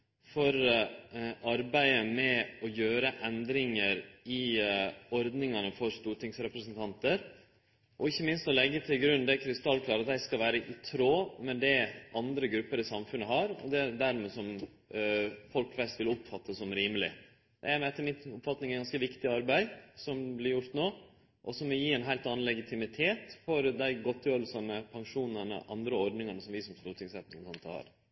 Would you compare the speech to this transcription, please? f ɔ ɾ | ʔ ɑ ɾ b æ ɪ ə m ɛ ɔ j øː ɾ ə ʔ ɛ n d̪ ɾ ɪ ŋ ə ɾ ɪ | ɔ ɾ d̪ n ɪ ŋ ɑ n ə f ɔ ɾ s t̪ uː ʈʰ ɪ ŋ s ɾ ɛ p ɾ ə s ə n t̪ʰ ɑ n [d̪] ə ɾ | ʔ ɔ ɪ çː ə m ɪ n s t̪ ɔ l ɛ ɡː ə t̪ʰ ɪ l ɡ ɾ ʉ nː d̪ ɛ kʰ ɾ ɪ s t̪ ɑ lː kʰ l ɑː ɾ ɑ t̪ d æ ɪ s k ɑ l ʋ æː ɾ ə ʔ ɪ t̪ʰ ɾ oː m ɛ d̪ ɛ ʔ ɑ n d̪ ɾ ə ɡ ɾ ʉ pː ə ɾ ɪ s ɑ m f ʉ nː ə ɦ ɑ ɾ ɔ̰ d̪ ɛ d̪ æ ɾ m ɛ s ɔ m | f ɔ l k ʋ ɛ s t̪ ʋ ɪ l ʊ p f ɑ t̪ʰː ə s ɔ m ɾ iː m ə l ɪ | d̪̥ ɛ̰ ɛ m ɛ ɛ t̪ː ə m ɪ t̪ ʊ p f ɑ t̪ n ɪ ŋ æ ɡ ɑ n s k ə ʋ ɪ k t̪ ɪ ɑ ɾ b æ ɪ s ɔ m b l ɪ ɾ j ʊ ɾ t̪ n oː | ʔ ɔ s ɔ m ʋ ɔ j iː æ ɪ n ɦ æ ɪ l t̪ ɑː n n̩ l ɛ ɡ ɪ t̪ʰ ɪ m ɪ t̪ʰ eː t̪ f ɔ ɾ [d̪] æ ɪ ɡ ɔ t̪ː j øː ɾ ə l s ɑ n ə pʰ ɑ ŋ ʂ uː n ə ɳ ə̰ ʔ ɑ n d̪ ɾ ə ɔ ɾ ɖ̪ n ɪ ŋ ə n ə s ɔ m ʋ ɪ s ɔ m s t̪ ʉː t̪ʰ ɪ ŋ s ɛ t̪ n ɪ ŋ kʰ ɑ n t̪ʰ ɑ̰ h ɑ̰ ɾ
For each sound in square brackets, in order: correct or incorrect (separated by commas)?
incorrect, correct